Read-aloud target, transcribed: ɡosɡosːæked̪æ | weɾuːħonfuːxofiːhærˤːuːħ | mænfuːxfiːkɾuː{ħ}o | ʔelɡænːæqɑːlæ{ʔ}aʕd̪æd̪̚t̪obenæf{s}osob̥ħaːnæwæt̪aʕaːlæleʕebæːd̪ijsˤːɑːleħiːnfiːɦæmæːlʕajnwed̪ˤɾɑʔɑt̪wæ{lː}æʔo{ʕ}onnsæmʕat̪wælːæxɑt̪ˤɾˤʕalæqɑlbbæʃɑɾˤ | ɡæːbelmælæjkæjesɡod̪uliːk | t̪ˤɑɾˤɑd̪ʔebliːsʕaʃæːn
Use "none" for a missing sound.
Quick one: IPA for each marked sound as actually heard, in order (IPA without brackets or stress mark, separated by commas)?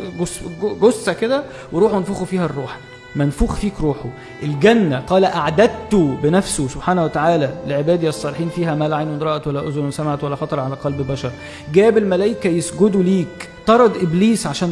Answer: ħ, ʔ, s, lː, z